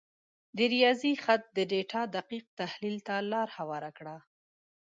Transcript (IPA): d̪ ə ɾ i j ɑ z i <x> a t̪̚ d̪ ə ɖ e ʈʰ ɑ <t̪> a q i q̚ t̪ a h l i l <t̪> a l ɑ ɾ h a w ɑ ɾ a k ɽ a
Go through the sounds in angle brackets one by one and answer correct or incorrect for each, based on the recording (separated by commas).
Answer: correct, incorrect, correct